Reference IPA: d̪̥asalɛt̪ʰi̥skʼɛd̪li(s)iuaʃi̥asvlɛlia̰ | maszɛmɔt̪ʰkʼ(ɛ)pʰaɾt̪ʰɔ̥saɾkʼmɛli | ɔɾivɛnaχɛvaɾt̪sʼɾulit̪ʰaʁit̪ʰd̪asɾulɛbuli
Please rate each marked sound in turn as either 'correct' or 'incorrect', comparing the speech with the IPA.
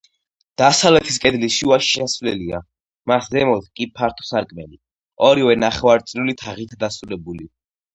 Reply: incorrect, incorrect

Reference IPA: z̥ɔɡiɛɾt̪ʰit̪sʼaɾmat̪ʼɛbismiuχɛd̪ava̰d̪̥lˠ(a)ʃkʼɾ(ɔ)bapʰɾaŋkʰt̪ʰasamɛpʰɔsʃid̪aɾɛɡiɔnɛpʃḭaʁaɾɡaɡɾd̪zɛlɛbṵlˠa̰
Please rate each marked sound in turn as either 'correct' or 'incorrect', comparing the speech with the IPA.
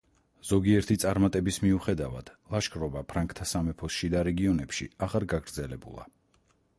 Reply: correct, correct

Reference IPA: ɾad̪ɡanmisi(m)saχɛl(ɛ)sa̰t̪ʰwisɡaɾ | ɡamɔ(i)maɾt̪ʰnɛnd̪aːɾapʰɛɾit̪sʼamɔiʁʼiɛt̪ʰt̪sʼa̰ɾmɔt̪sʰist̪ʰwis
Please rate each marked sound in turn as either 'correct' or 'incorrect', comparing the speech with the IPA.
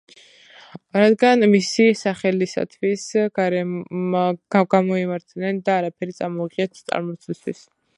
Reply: incorrect, incorrect, correct

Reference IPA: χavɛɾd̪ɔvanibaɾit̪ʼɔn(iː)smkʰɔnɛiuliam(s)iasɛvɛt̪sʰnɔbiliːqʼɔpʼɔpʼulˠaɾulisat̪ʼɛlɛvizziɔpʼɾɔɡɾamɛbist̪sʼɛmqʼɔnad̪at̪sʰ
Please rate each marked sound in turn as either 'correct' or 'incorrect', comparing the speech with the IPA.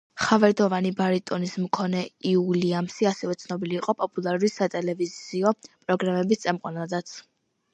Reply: incorrect, correct

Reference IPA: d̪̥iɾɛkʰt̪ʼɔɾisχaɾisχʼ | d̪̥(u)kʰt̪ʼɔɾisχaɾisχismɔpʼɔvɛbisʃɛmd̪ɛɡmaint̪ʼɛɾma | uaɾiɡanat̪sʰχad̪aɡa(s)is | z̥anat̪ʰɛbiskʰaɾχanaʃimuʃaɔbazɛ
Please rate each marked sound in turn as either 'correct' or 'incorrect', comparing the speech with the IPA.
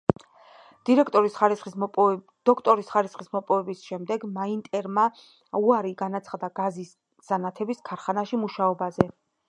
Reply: incorrect, incorrect

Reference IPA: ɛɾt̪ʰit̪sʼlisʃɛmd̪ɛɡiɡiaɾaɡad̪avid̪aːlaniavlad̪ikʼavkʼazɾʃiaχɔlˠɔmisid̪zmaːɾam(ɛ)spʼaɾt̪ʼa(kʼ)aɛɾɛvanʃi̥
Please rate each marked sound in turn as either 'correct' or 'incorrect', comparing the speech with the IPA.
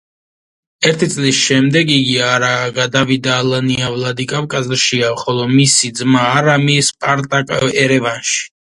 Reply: incorrect, correct

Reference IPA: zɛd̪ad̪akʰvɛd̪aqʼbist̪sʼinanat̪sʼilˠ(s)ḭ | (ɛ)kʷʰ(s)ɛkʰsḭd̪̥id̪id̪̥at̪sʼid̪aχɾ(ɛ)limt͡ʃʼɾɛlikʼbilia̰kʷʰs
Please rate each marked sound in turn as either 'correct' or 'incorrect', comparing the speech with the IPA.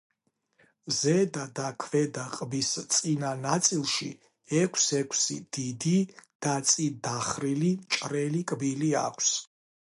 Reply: incorrect, correct, correct, incorrect

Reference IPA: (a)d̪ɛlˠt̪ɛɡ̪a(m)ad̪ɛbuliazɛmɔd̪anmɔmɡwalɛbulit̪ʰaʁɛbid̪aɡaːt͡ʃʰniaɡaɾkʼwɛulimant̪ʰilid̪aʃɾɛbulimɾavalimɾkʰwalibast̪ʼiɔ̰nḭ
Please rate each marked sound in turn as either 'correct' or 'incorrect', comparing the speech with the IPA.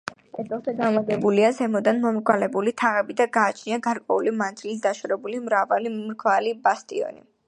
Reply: incorrect, correct

